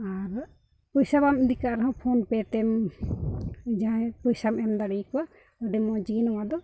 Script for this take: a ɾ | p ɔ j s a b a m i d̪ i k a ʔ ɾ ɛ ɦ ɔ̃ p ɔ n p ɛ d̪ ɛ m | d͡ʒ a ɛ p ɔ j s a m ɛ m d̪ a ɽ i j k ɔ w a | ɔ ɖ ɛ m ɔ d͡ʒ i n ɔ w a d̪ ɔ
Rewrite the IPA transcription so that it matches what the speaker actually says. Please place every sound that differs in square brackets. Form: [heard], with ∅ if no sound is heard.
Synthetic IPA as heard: a ɾ | p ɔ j s a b a m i d̪ i k a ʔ ɾ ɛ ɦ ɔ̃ [pʰ] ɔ n p ɛ [t̪] ɛ m | d͡ʒ a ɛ p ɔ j s a m ɛ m d̪ a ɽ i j k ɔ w a | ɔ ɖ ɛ m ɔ d͡ʒ i n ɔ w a d̪ ɔ